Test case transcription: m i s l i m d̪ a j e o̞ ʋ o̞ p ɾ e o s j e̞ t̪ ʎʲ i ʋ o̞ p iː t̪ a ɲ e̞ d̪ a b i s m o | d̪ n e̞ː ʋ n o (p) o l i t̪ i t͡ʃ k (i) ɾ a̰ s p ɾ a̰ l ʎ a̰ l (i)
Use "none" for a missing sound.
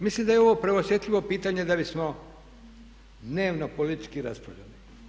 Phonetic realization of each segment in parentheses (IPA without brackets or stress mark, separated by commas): p, i, i